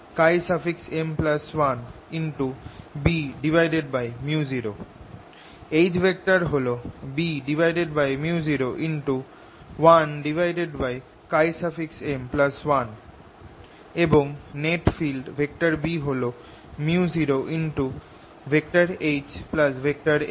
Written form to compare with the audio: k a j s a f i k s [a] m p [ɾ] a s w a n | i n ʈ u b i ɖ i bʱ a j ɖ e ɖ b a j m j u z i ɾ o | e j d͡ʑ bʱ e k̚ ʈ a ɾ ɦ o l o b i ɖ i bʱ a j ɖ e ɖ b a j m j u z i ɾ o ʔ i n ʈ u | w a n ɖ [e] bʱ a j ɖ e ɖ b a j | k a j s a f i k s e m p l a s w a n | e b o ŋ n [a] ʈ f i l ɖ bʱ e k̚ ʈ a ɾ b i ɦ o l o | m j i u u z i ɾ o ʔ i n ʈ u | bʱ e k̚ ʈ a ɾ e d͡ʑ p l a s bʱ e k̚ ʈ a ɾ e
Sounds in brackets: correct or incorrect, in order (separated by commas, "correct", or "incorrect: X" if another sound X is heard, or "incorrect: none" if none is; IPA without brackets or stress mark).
incorrect: e, incorrect: l, incorrect: i, incorrect: e